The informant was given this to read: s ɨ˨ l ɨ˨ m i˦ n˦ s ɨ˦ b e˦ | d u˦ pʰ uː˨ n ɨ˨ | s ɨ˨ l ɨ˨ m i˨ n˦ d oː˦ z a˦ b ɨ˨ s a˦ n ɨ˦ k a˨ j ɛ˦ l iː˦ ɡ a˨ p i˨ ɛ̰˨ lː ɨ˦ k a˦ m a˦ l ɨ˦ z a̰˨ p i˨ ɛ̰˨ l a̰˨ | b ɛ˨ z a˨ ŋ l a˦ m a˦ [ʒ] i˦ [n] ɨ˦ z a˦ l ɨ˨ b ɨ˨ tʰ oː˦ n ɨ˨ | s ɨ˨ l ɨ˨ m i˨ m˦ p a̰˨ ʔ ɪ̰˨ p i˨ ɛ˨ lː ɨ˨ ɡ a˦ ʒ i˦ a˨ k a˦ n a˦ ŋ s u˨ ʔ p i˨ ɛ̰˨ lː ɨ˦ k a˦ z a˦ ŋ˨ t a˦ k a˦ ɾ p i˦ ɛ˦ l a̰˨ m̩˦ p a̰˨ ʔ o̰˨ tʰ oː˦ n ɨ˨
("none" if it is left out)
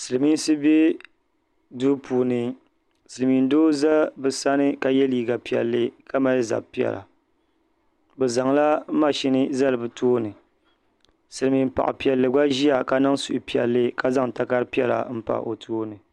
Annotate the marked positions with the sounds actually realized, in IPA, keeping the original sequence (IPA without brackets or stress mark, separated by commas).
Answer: ʃ, n